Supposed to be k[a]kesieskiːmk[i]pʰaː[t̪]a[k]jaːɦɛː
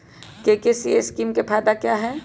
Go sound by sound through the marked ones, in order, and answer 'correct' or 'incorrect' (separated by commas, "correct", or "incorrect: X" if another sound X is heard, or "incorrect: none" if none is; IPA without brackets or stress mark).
incorrect: e, incorrect: e, incorrect: d̪, correct